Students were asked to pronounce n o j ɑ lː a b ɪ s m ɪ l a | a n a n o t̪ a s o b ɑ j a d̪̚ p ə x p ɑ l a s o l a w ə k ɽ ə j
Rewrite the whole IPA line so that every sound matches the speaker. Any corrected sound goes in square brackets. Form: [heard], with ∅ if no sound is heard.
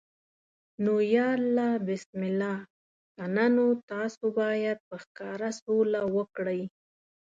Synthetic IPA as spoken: n o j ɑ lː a b ɪ s m ɪ l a | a n a n o t̪ [ɑ] s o b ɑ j a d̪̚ p ə x [k] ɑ [ɾ] a s o l a w ə k ɽ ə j